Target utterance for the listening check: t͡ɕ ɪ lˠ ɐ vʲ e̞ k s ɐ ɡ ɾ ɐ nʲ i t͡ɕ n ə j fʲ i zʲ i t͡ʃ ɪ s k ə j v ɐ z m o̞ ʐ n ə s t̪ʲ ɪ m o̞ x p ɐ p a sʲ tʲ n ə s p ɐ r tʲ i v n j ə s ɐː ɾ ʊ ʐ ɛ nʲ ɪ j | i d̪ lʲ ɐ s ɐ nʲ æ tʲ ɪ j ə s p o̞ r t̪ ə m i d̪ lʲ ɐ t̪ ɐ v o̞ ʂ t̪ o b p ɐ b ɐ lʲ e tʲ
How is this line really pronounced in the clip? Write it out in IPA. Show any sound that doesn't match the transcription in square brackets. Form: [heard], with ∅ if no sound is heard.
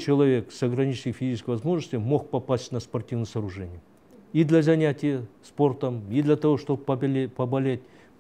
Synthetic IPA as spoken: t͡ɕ ɪ lˠ ɐ vʲ e̞ k s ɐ ɡ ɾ ɐ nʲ i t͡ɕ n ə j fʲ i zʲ i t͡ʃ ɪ s k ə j v ɐ z m o̞ ʐ n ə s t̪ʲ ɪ m o̞ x p ɐ p a sʲ tʲ n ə s p ɐ r tʲ i v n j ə s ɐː ɾ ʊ ʐ ɛ nʲ ɪ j | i d̪ lʲ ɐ [z] ɐ nʲ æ tʲ ɪ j ə s p o̞ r t̪ ə m i d̪ lʲ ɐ t̪ ɐ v o̞ ʂ t̪ o b p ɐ b ɐ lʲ e tʲ